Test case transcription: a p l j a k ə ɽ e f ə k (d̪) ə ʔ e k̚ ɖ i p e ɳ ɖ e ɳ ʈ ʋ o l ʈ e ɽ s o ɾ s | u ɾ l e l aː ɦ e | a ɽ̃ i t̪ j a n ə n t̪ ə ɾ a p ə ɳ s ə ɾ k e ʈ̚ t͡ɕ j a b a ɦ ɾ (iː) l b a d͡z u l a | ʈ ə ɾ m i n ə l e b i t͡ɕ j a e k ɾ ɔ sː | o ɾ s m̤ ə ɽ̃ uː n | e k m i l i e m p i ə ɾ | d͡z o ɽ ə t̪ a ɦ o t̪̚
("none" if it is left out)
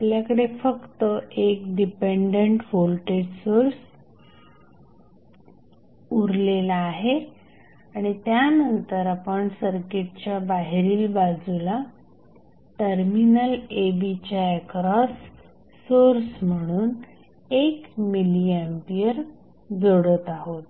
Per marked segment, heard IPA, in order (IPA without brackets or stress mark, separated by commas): t̪, iː